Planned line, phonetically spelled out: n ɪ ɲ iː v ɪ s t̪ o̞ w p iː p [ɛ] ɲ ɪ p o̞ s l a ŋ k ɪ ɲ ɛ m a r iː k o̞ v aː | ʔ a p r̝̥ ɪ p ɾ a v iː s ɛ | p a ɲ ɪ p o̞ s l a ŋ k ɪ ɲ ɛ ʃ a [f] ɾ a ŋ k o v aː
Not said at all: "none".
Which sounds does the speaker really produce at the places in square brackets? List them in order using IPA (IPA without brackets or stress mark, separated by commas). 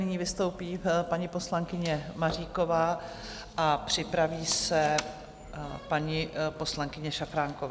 a, f